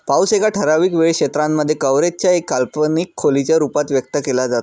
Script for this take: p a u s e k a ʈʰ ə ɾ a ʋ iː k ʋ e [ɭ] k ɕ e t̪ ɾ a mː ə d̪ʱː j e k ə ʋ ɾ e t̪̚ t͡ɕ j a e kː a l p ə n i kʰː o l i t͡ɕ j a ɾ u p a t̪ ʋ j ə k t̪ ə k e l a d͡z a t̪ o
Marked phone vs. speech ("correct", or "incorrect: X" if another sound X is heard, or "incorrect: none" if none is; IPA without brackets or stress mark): correct